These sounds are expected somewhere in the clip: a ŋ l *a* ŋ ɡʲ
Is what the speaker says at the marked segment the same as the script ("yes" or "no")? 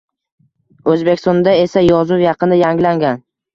yes